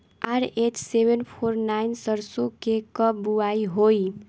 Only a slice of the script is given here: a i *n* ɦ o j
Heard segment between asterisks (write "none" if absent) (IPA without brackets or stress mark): none